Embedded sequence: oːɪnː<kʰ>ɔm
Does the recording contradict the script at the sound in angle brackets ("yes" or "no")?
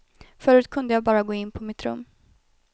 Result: yes